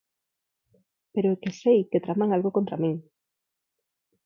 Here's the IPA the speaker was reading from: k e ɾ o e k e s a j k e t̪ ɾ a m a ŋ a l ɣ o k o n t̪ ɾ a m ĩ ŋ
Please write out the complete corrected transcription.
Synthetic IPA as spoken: p e ɾ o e k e s e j k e t̪ ɾ a m a ŋ a l ɣ o k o n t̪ ɾ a m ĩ ŋ

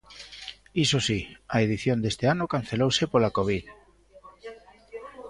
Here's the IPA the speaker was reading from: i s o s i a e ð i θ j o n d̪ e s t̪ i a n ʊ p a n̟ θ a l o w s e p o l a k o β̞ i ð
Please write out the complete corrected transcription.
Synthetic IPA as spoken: i s o s i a e ð i θ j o n d̪ e s t̪ e a n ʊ k a n̟ θ e l o w s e p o l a k o β̞ i ð

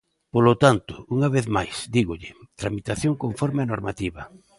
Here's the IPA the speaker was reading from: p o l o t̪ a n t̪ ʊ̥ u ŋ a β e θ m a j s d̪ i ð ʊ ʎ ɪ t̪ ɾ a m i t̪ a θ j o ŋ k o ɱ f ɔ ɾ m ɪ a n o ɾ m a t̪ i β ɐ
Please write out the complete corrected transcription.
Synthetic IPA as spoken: p o l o t̪ a n t̪ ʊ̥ u ŋ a β e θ m a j s d̪ i ɣ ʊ ʎ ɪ t̪ ɾ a m i t̪ a θ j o ŋ k o ɱ f ɔ ɾ m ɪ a n o ɾ m a t̪ i β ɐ

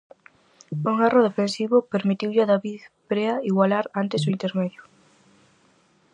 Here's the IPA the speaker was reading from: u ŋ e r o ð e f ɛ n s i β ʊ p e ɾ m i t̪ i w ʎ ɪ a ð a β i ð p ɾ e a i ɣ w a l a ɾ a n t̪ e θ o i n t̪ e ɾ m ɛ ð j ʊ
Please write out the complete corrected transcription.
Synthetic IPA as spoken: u ŋ a r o ð e f e n s i β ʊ p e ɾ m i t̪ i w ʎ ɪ a ð a β i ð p ɾ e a i ɣ w a l a ɾ a n t̪ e s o i n t̪ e ɾ m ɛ ð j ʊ

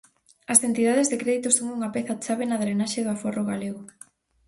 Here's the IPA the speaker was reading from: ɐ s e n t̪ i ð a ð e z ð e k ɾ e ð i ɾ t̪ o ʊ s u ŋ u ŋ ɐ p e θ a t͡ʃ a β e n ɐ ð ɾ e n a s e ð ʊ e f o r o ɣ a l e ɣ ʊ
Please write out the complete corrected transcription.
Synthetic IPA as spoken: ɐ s e n t̪ i ð a ð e z ð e k ɾ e ð i t̪ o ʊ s o ŋ u ŋ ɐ p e θ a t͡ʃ a β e n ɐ ð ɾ e n a ʃ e ð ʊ a f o r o ɣ a l e ɣ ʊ

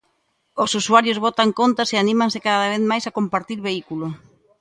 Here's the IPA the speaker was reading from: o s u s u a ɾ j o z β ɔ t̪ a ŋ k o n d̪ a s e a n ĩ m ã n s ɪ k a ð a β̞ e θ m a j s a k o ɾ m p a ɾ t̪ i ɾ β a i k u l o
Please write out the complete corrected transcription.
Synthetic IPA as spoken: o s u s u a ɾ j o z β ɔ t̪ a ŋ k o n t̪ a s e a n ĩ m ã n s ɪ k a ð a β̞ e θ m a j s a k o m p a ɾ t̪ i ɾ β e i k u l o

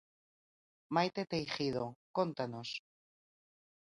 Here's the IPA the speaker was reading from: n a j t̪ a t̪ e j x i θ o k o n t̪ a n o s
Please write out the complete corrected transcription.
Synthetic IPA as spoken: m a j t̪ e t̪ e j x i ð o k o n t̪ a n o s

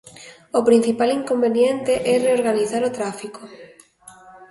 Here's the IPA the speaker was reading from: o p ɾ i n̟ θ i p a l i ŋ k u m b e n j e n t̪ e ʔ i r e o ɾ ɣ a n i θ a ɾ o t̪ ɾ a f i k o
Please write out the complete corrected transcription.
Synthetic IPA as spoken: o p ɾ i n̟ θ i p a l i ŋ k o m b e n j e n t̪ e ʔ ɛ r e o ɾ ɣ a n i θ a ɾ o t̪ ɾ a f i k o

